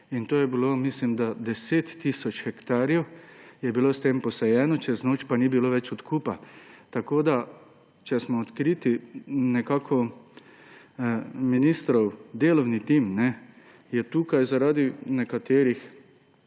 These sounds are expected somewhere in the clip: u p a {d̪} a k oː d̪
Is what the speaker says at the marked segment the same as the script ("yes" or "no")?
no